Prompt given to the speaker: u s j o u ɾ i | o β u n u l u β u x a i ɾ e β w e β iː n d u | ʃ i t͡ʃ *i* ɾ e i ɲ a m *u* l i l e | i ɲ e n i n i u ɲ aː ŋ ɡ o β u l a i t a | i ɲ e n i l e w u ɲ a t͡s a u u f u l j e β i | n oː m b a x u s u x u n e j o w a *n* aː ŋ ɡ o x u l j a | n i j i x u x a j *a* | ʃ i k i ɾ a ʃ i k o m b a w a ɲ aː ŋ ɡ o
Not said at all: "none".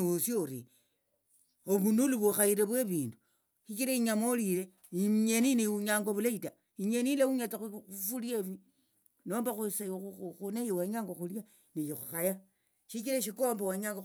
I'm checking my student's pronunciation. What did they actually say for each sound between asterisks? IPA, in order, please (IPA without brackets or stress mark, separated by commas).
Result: i, o, ɲ, a